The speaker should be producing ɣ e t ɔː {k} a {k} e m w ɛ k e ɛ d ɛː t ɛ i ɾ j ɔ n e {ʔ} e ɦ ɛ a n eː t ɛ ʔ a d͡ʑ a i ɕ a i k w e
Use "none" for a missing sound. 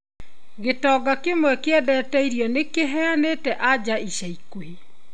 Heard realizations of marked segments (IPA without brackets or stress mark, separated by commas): ɡ, k, k